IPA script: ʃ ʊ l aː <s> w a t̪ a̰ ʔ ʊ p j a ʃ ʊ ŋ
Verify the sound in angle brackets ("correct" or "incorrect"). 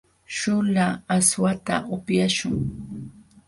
correct